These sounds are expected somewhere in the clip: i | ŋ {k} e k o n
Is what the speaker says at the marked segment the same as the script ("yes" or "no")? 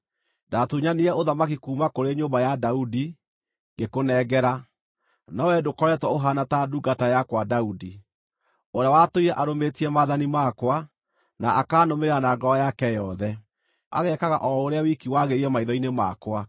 no